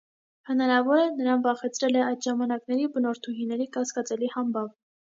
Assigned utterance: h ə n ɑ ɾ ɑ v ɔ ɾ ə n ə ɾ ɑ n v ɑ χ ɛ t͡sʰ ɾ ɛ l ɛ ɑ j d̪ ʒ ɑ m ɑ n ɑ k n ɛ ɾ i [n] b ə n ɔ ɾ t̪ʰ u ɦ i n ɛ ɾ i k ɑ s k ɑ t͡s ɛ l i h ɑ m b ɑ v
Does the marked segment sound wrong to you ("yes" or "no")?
yes